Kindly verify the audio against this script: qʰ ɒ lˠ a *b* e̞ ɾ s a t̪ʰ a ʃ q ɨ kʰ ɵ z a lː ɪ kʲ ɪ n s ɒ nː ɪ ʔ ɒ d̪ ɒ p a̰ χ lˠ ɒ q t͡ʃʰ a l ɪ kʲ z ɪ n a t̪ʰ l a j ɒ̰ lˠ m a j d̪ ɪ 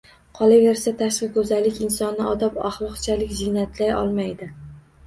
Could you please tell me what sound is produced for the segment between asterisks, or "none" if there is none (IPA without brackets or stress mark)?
v